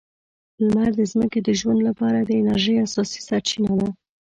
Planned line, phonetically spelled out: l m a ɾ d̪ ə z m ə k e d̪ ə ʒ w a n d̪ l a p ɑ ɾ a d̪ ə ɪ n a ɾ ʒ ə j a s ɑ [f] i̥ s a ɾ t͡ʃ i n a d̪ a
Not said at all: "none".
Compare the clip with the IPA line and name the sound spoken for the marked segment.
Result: s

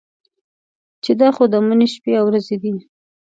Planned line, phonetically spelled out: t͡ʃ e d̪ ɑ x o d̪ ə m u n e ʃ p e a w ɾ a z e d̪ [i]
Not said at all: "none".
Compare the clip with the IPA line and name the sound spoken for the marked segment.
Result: i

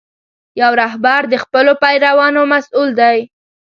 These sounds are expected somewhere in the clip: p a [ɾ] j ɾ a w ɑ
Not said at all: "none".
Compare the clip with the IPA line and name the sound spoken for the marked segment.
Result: none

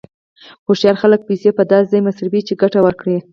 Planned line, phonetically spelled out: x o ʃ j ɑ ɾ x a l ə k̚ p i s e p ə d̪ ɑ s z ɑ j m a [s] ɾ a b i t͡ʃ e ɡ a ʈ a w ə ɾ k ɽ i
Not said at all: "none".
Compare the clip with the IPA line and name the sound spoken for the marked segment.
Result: s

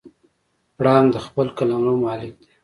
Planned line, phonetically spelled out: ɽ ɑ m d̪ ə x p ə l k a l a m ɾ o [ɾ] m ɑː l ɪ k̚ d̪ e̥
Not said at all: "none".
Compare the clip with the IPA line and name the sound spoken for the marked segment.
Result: none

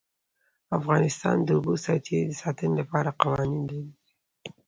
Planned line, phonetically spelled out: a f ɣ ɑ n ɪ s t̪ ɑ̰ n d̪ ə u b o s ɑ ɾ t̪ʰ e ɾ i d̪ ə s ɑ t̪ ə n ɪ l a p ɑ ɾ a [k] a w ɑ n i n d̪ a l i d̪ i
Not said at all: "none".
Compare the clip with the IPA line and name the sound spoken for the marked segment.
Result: q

